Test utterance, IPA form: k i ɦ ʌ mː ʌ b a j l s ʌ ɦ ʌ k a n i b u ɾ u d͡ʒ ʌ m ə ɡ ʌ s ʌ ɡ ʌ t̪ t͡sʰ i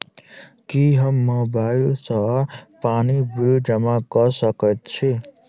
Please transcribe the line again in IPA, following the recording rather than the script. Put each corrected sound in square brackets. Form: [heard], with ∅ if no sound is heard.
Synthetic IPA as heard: k i ɦ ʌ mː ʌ b a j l s ʌ ɦ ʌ [p] a n i b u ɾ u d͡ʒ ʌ m [a] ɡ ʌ s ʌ [k] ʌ t̪ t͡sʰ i